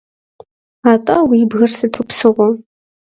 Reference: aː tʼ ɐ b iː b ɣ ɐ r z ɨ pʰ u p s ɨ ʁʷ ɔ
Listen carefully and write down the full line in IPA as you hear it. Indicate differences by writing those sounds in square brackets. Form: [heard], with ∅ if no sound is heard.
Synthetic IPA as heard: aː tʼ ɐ [w] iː b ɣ ɐ r [s] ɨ [tʰ] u p s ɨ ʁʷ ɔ